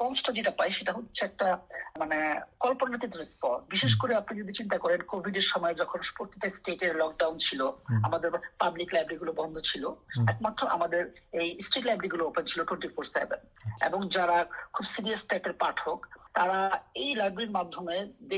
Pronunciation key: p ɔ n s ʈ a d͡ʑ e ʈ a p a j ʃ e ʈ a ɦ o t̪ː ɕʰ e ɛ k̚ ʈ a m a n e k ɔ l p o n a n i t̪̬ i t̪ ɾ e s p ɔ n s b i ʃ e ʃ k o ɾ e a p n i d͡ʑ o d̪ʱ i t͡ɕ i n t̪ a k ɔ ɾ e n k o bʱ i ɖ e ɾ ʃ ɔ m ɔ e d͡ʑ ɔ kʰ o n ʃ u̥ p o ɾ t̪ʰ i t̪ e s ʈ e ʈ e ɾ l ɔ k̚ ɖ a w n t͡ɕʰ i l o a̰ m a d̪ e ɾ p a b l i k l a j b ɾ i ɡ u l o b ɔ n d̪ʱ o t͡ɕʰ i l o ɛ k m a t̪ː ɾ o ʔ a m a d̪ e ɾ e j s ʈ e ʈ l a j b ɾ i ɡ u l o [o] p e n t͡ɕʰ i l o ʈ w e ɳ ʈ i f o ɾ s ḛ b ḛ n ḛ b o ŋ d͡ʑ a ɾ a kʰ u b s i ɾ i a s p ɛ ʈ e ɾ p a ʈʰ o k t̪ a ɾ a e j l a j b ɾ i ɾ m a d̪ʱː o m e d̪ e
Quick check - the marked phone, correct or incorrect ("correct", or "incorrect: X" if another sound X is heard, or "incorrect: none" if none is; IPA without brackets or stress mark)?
correct